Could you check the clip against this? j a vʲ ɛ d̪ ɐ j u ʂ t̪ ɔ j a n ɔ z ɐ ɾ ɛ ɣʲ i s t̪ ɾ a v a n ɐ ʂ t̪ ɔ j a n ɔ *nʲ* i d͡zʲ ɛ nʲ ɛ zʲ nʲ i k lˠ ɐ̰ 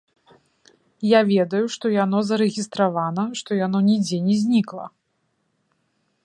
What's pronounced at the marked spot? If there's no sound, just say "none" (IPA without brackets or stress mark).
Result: nʲ